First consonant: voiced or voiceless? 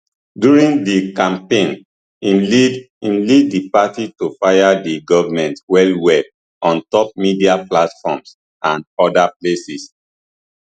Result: voiced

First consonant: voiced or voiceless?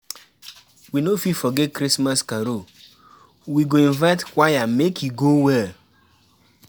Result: voiced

